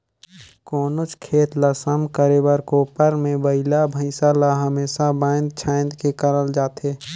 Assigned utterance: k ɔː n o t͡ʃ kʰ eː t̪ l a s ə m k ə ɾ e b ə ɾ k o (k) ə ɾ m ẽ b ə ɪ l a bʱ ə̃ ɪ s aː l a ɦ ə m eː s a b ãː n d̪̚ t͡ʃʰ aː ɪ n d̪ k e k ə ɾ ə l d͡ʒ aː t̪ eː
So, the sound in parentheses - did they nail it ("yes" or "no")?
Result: no